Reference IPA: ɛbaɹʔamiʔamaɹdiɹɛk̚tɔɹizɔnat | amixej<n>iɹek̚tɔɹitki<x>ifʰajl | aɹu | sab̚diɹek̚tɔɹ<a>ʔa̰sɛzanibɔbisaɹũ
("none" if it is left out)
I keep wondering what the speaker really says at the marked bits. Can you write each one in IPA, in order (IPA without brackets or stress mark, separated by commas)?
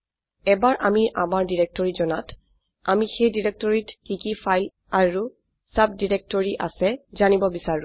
d, k, i